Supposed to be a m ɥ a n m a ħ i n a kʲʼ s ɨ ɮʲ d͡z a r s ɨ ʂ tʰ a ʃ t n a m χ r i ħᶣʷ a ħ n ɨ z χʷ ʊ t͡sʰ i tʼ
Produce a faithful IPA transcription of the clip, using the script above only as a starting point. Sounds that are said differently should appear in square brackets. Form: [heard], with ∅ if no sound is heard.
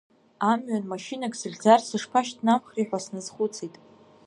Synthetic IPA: a m ɥ a n m a [ʃ] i n a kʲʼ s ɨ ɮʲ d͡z a r s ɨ ʂ [pʰ] a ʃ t n a m χ r i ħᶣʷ a [s] n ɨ z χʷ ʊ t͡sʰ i tʼ